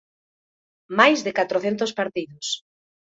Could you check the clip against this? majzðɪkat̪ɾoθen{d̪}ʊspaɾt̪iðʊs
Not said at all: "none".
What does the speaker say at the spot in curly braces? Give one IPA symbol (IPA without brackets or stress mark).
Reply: t̪